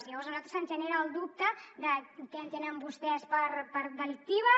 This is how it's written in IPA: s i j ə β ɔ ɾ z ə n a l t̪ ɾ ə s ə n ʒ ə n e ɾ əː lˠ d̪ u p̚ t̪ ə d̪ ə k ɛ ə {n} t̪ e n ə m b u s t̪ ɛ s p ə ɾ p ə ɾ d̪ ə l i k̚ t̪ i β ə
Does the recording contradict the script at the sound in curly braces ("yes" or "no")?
no